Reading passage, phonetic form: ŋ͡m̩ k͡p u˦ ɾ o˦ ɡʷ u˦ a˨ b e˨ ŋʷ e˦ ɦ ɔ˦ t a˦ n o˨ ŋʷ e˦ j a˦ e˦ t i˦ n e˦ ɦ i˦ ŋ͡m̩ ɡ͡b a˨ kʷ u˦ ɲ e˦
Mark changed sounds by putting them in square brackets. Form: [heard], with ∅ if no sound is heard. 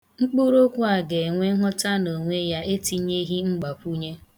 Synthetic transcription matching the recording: ŋ͡m̩ k͡p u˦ ɾ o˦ [kʷ] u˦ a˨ [ɡ] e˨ ŋʷ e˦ ɦ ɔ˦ t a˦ n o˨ ŋʷ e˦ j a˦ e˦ t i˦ [ɲ] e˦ ɦ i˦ ŋ͡m̩ ɡ͡b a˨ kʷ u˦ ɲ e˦

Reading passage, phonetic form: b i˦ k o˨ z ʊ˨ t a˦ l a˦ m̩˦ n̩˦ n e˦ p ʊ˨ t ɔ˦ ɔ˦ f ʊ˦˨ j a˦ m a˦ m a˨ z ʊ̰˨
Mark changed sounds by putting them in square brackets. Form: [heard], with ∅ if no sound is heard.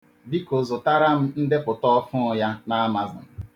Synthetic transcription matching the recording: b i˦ k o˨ z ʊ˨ t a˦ [ɾ] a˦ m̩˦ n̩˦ [d] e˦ p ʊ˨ t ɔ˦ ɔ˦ f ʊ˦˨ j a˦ [n] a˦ m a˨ z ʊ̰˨

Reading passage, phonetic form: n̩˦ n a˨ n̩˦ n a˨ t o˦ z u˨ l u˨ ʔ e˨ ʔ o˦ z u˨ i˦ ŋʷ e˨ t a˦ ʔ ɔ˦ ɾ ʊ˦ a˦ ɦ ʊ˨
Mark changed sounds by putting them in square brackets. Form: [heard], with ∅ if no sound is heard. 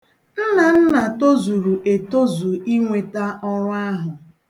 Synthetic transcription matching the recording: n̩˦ n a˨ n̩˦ n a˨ t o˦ z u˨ [ɾ] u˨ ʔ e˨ [t] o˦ z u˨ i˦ ŋʷ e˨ t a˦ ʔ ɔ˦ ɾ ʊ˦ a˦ ɦ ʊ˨

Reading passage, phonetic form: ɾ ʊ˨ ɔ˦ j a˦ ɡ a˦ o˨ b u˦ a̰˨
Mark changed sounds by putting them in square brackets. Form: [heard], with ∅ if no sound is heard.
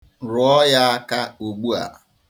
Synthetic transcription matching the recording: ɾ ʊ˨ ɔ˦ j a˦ [k] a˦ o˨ [ɡ͡b] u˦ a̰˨

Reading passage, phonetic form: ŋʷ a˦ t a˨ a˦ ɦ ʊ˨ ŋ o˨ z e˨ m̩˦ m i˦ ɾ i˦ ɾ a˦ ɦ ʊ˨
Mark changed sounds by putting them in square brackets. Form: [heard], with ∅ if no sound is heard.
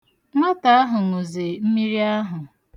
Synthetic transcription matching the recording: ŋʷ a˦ t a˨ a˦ ɦ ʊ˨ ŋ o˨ z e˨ m̩˦ m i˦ ɾ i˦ [∅] a˦ ɦ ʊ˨

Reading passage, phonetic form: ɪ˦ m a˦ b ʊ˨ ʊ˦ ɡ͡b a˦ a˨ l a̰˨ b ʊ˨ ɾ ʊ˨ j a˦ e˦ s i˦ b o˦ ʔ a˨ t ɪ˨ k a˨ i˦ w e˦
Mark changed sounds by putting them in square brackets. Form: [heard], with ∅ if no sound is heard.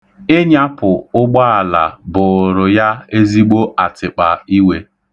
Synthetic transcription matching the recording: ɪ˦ [ɲ] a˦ [p] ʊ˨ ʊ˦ ɡ͡b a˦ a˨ l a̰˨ b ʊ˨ ɾ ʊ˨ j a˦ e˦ [z] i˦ [ɡ͡b] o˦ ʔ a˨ t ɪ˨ [k͡p] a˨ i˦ w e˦

